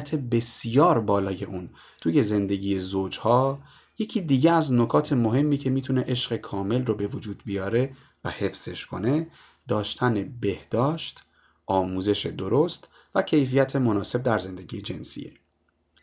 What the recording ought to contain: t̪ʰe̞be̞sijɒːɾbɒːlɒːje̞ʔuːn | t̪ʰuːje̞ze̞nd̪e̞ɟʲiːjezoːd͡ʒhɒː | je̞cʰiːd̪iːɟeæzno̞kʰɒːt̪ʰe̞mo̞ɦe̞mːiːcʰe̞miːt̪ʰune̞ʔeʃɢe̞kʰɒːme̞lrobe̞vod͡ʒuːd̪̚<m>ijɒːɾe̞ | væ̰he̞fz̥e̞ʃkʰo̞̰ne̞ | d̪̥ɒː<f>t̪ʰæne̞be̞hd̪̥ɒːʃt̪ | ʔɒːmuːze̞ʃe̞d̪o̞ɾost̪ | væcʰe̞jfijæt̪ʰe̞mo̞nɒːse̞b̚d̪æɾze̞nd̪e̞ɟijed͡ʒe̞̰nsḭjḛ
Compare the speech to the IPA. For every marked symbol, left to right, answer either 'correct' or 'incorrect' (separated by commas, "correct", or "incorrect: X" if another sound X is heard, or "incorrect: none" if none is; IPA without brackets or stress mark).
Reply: incorrect: b, incorrect: ʃ